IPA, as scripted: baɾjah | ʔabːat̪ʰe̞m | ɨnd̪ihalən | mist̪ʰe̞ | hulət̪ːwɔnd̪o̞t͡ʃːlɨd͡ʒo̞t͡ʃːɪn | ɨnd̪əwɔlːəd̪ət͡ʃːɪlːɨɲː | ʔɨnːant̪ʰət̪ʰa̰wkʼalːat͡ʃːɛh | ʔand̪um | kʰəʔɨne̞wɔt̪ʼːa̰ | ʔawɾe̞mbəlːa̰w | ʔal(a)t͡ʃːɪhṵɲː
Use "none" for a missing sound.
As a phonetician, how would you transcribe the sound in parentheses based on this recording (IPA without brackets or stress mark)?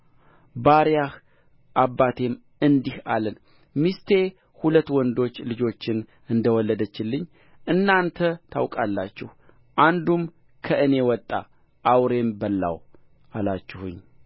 a